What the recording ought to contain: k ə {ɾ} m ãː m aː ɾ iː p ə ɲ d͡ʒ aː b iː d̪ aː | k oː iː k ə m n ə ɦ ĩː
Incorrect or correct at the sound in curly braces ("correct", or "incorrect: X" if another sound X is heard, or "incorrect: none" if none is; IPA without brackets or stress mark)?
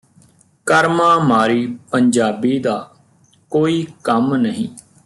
correct